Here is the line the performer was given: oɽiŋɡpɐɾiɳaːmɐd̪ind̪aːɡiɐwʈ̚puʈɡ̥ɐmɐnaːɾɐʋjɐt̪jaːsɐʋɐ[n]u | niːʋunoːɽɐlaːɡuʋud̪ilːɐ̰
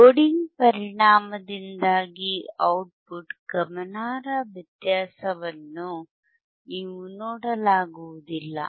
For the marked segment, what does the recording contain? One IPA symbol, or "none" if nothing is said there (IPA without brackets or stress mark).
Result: nː